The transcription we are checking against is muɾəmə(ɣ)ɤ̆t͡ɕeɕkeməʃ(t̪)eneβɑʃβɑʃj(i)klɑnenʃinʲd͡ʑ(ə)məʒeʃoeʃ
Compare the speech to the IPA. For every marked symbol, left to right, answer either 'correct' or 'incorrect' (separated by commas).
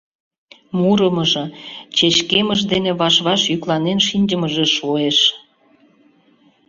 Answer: incorrect, incorrect, incorrect, correct